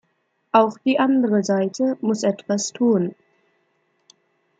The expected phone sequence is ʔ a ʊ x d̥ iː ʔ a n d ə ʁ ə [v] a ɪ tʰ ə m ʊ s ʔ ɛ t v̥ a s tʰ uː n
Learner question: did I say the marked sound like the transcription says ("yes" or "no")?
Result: no